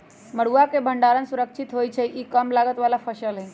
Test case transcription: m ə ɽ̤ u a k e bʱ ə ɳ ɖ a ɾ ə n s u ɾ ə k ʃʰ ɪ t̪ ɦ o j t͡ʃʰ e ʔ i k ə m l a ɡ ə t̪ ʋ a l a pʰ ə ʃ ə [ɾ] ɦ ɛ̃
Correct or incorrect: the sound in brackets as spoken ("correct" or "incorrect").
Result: incorrect